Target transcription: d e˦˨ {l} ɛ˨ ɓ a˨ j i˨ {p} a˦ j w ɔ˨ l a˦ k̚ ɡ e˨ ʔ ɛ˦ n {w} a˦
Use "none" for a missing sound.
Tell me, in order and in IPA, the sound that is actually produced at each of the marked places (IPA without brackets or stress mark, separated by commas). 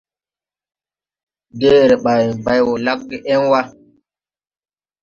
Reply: ɾ, b, w